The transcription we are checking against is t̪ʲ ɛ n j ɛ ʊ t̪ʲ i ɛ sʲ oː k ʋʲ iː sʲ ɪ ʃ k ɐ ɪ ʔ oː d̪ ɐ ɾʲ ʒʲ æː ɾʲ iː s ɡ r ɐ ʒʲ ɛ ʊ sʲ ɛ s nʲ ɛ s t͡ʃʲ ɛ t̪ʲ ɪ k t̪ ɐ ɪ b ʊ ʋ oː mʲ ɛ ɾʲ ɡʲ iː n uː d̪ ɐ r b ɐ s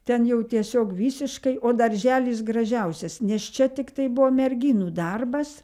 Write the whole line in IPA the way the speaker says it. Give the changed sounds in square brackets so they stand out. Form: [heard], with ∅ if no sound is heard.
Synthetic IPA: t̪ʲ ɛ n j ɛ ʊ t̪ʲ i ɛ sʲ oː k ʋʲ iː sʲ ɪ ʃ k ɐ ɪ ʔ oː d̪ ɐ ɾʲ ʒʲ æː [lʲ] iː s ɡ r ɐ ʒʲ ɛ ʊ sʲ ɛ s nʲ ɛ s t͡ʃʲ ɛ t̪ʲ ɪ k t̪ ɐ ɪ b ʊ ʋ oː mʲ ɛ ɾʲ ɡʲ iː n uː d̪ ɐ r b ɐ s